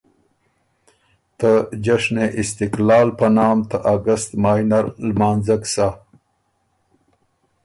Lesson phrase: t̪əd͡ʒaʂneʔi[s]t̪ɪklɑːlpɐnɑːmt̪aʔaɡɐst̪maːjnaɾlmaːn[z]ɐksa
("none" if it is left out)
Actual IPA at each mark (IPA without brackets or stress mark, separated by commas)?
s, z